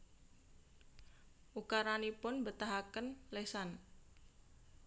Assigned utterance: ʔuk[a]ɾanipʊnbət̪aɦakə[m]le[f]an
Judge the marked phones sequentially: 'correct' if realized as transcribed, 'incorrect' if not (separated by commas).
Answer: correct, incorrect, incorrect